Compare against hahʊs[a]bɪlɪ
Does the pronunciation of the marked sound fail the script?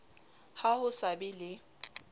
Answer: no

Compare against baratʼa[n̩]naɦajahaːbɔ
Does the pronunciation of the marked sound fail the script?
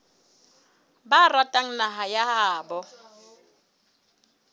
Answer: yes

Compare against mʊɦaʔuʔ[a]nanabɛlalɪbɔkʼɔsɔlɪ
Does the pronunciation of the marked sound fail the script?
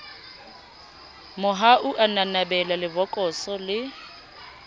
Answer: no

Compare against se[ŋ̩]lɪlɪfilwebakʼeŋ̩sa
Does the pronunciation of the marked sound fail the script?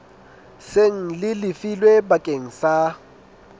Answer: no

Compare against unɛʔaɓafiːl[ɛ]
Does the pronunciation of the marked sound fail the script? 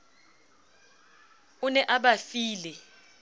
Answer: no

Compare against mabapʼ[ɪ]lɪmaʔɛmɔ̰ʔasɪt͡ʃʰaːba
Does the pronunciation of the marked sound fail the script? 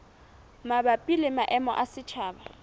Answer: yes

